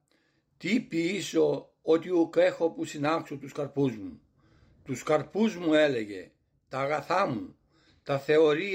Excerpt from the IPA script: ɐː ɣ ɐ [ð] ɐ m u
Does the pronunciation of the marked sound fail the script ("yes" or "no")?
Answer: yes